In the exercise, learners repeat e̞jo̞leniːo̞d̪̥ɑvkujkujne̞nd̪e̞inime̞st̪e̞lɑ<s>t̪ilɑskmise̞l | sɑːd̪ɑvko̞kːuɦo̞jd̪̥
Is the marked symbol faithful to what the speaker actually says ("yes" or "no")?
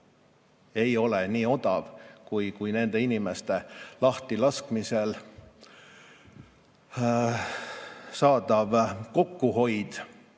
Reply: no